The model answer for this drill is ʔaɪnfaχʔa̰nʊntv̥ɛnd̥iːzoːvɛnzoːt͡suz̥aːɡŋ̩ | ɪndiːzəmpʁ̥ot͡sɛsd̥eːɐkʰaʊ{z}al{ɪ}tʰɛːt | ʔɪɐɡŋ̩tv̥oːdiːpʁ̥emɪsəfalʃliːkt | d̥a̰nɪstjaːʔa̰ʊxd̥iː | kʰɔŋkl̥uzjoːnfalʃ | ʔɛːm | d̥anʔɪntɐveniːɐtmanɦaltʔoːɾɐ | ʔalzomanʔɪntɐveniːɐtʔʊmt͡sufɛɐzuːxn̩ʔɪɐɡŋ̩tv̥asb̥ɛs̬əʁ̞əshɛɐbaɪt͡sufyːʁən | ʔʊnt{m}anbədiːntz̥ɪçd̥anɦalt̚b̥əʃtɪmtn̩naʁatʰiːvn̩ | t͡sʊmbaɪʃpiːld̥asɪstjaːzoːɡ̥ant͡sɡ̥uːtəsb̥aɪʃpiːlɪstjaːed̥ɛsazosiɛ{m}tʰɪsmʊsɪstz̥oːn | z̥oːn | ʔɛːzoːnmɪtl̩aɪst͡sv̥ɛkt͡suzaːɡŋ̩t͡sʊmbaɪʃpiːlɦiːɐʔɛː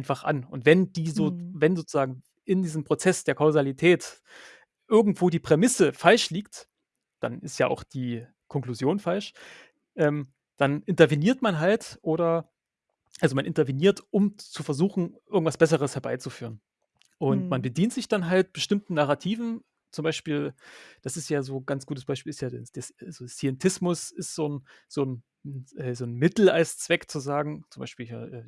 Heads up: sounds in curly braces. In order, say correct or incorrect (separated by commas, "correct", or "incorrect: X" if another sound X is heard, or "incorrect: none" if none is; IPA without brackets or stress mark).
correct, incorrect: i, correct, incorrect: n